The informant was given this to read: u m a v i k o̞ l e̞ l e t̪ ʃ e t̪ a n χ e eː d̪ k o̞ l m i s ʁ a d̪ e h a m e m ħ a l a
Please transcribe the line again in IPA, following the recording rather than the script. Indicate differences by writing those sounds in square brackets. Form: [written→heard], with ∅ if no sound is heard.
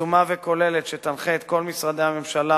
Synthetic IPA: u m a v [i→e] k o̞ l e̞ l e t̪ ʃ e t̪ a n χ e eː [d̪→t̪] k o̞ l m i s ʁ a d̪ e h a m e m [ħ→ʃ] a l a

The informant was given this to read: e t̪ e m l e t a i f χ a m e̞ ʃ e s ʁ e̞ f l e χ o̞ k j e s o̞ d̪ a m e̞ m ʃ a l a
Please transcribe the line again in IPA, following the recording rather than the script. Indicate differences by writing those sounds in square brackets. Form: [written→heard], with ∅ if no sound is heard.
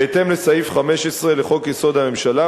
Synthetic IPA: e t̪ e m l e [t→s] a i f χ a m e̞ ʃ e s ʁ e̞ [f→∅] l e χ o̞ k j e s o̞ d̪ a m e̞ m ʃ a l a

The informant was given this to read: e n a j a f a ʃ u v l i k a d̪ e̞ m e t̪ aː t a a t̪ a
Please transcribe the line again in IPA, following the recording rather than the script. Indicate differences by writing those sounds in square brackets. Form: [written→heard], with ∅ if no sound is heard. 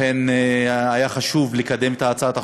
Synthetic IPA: e n a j a [f→χ] a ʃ u v l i k a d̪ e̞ m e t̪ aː [t→t͡s] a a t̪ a

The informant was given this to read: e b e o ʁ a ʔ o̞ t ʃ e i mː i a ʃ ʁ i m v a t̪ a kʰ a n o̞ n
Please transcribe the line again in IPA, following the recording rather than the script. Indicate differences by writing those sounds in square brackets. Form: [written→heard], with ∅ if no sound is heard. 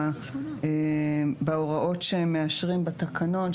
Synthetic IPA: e b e o ʁ a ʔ o̞ t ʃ e [i→e] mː [i→e] a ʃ ʁ i m [v→b] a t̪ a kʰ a n o̞ n

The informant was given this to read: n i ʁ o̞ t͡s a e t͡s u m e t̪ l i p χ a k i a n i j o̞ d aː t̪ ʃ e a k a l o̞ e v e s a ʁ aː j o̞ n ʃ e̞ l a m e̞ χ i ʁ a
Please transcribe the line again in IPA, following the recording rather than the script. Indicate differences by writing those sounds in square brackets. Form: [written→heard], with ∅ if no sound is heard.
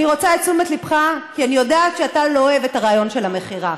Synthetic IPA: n i ʁ o̞ t͡s a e t͡s u m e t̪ l i p χ a k i a n i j o̞ d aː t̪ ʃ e a [k→t] a l o̞ e v e [s→t] a ʁ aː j o̞ n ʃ e̞ l a m e̞ χ i ʁ a

